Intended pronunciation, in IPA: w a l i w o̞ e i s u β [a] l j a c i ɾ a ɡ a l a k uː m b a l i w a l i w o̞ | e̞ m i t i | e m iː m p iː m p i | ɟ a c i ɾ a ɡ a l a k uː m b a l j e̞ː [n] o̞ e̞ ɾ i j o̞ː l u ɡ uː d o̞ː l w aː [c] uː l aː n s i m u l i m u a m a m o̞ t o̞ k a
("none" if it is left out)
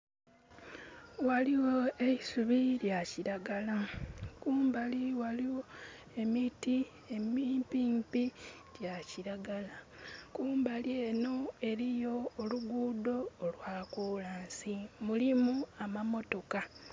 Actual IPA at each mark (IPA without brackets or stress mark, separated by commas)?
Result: i, n, k